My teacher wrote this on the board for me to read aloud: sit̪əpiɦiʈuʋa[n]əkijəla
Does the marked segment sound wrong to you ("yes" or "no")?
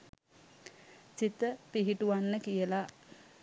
yes